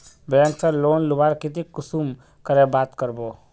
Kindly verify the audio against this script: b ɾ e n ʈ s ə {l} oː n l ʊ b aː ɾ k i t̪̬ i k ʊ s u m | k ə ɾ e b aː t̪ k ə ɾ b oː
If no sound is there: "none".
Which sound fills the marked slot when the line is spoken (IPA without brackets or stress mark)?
l